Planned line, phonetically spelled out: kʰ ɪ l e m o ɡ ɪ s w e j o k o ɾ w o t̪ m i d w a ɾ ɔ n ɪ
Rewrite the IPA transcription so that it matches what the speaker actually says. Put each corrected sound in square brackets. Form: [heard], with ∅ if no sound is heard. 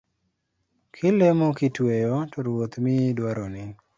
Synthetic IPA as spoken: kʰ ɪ l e m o [k] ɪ [t] w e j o [t] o ɾ w o t̪ m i d w a ɾ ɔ n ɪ

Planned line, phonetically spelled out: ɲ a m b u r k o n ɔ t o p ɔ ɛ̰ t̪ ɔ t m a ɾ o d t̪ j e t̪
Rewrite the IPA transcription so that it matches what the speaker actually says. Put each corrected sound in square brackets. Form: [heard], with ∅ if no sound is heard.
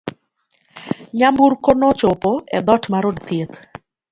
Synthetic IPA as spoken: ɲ a m b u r k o n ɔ [t͡ʃ] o p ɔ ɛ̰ [d̪] ɔ t m a ɾ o d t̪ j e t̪

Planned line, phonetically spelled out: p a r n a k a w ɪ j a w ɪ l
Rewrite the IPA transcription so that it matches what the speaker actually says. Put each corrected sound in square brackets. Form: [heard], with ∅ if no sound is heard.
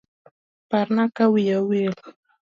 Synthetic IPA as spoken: p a [ɾ] n a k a w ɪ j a w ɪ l

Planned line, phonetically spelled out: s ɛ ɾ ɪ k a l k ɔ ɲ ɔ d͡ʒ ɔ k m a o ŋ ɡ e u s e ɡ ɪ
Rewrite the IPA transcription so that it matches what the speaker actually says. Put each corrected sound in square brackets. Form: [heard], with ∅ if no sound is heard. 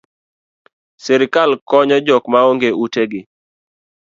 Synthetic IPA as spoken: s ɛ ɾ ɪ k a l k ɔ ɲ ɔ d͡ʒ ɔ k m a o ŋ ɡ e u [t] e ɡ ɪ

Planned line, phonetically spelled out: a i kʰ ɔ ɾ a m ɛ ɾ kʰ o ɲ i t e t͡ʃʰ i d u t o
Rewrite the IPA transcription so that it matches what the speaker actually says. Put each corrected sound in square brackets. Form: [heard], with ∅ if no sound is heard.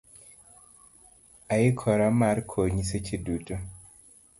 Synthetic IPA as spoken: a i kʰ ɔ ɾ a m [a] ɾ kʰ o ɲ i [s] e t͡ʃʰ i d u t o

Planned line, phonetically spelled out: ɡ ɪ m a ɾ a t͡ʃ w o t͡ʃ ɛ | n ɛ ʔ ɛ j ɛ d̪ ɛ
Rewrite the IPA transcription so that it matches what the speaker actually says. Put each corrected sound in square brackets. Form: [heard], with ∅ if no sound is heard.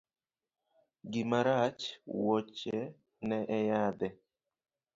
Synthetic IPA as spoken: ɡ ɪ m a ɾ a t͡ʃ w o t͡ʃ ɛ | n ɛ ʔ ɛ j [a] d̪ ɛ

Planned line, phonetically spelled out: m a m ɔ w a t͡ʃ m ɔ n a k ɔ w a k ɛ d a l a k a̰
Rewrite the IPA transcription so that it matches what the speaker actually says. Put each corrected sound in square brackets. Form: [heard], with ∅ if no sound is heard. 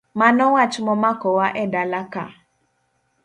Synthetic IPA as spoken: m a [n] ɔ w a t͡ʃ m ɔ [m] a k ɔ w a [ʔ] ɛ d a l a k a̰

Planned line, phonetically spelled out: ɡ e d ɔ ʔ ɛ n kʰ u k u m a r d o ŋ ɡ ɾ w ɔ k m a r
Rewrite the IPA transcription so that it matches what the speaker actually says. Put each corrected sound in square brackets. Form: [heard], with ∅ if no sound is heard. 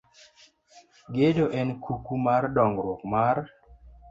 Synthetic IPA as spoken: ɡ e d [o] ʔ ɛ n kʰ u k u m a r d [ɔ] ŋ ɡ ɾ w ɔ k m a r

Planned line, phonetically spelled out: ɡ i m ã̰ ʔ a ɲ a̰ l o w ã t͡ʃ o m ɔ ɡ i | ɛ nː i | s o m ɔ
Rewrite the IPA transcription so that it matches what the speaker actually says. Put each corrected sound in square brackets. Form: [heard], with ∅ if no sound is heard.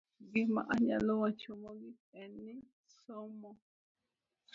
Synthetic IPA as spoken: ɡ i m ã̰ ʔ a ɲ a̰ l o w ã t͡ʃ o m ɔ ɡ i | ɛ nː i | s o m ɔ

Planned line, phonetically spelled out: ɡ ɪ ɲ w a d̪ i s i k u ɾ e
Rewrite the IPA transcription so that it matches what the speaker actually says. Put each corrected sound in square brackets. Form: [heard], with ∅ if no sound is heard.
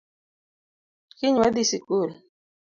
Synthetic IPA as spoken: [k] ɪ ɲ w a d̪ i s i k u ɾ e

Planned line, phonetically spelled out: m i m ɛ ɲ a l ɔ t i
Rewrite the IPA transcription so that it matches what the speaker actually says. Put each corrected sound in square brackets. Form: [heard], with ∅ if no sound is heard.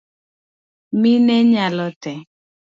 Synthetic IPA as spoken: m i [n] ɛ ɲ a l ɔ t [ɛ]

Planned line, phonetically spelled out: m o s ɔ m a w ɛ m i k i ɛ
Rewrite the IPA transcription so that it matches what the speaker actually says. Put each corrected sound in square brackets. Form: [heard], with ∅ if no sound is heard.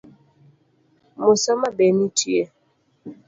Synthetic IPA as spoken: m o s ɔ m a [b] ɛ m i [t] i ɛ

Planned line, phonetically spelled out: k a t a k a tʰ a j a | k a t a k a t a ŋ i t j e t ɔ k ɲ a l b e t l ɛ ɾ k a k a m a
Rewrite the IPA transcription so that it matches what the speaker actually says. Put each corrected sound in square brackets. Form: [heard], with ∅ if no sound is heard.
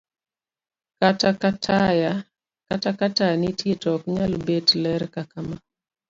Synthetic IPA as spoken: k a t a k a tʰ a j a | k a t a k a t a [n] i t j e t ɔ k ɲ a l b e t l ɛ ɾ k a k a m a

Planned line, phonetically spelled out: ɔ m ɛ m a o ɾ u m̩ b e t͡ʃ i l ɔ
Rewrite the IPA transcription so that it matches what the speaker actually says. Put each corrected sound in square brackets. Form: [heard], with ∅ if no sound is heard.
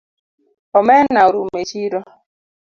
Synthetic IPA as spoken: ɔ m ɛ [n] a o ɾ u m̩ [m] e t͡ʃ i [ɾ] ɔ

